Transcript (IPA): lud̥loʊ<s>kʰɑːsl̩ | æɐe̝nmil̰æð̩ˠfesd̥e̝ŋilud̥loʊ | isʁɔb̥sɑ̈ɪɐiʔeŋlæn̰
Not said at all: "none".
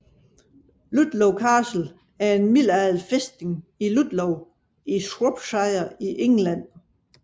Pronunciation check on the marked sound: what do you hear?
none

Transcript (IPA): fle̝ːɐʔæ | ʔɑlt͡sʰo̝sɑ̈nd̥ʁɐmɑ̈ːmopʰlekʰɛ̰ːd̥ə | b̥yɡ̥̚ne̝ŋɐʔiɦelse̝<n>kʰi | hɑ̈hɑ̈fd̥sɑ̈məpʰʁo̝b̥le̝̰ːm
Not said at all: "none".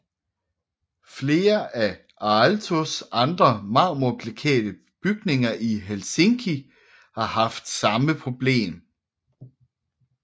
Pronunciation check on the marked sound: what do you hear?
ŋ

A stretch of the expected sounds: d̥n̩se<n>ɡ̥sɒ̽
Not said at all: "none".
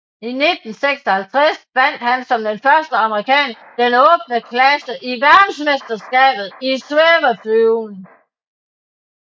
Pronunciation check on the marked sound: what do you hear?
none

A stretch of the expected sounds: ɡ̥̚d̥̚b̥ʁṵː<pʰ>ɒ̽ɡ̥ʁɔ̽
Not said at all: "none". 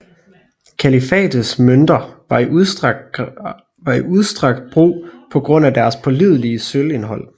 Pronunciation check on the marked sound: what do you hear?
pʰ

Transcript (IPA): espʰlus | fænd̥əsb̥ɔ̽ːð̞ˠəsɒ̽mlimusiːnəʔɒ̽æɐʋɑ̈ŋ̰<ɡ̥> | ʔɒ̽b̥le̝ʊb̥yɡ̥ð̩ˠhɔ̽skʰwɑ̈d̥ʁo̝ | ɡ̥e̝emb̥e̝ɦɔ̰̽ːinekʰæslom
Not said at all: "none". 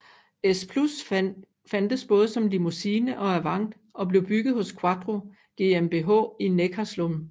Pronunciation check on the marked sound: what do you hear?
d̥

